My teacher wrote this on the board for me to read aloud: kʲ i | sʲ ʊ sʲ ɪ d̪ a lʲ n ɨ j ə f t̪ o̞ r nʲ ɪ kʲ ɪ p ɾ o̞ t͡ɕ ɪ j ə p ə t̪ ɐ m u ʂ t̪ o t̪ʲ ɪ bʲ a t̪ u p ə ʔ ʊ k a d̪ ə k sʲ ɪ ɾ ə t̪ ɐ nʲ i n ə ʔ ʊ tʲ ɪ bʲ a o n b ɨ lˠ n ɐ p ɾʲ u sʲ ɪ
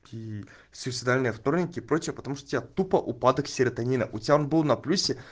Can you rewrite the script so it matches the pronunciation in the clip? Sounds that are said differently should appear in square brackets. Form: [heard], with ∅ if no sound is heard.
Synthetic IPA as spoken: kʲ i | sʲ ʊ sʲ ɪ d̪ a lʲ n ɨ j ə f t̪ o̞ r nʲ ɪ kʲ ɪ p ɾ o̞ t͡ɕ ɪ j ə p ə t̪ ɐ m u ʂ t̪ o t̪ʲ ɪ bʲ a t̪ u p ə ʔ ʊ [p] a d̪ ə k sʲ ɪ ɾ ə t̪ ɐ nʲ i n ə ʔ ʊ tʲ ɪ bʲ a o n b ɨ lˠ n ɐ p [lʲ] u sʲ ɪ